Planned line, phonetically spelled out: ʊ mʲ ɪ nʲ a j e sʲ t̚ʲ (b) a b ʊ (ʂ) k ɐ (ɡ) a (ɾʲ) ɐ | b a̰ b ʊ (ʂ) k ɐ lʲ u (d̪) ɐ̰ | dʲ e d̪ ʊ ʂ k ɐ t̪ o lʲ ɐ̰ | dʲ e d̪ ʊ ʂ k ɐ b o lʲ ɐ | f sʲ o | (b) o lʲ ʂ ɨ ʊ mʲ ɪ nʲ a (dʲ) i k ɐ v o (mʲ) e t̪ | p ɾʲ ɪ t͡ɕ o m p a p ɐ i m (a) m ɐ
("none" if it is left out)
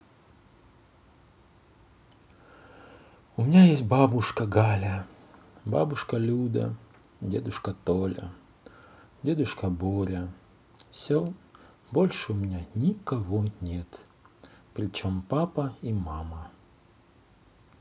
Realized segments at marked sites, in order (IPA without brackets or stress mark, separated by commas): b, ʂ, ɡ, lʲ, ʂ, d̪, b, nʲ, nʲ, a